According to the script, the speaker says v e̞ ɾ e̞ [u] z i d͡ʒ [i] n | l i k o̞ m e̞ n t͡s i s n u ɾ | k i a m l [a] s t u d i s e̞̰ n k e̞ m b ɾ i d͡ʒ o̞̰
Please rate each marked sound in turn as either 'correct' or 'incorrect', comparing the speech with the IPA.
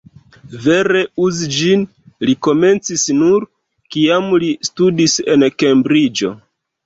correct, correct, incorrect: i

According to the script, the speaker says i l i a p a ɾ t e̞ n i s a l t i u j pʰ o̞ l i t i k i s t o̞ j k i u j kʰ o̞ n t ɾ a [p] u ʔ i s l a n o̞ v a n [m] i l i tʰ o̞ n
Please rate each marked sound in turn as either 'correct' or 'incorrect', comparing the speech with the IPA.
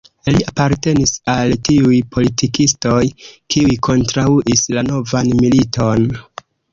incorrect: none, correct

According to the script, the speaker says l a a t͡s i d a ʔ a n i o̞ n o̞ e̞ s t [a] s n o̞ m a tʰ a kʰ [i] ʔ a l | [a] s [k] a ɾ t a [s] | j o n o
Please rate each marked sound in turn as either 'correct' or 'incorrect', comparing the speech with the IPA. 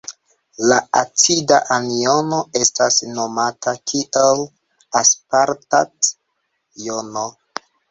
correct, correct, correct, incorrect: p, incorrect: t

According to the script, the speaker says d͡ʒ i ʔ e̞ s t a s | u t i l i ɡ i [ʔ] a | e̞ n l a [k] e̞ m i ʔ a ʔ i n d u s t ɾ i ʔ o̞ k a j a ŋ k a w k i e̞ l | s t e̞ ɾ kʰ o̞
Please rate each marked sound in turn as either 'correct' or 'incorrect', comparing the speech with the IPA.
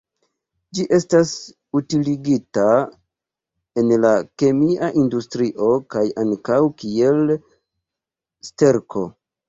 incorrect: t, correct

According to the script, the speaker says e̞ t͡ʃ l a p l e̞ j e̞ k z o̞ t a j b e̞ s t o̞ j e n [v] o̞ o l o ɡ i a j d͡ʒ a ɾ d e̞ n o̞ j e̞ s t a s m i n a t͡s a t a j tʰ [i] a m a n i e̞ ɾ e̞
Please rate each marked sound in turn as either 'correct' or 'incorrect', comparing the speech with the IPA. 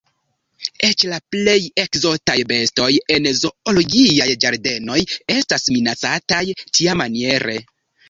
incorrect: z, correct

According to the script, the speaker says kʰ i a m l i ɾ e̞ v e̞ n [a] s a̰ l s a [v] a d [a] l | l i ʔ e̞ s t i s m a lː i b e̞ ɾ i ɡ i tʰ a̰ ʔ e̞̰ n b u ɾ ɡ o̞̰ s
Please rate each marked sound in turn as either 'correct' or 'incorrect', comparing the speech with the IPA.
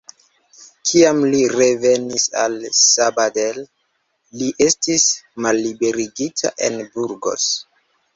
incorrect: i, incorrect: b, incorrect: e

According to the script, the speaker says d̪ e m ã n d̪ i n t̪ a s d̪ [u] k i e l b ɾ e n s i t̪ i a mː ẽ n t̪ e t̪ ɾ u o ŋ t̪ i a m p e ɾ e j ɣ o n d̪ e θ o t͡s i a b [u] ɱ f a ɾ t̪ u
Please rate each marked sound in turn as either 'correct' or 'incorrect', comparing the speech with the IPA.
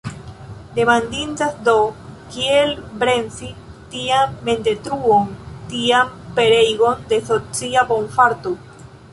incorrect: o, incorrect: o

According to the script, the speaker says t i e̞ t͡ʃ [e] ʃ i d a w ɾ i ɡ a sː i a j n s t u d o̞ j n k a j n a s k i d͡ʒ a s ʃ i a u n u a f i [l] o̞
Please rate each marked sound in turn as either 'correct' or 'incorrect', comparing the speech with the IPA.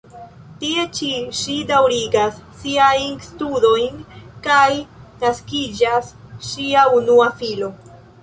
incorrect: i, correct

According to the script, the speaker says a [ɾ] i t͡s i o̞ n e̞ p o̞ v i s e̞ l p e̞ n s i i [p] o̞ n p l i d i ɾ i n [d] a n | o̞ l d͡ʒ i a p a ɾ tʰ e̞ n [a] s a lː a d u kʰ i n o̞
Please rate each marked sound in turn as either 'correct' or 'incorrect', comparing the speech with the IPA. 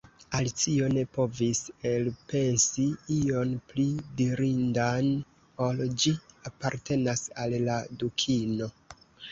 incorrect: l, incorrect: none, correct, correct

